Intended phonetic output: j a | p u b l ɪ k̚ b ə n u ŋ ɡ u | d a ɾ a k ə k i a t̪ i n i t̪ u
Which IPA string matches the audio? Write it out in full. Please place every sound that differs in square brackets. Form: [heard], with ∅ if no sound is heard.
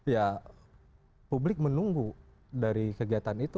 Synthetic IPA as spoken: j a | p u b l ɪ k̚ [m] ə n u ŋ ɡ u | d a ɾ [i] k ə [ɡ] i a t̪ [a] n i t̪ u